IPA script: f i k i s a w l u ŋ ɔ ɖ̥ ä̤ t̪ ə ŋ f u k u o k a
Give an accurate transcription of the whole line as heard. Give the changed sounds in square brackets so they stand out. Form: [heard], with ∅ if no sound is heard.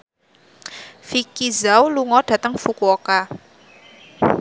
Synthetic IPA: f i k i [z] a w l u ŋ ɔ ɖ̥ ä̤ t̪ ə ŋ f u k u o k a